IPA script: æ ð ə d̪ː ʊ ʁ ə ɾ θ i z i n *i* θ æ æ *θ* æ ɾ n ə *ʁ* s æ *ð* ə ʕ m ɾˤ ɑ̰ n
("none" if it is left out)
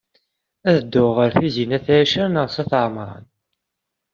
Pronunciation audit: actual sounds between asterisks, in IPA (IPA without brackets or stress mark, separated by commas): æ, ʃ, ʁ, θ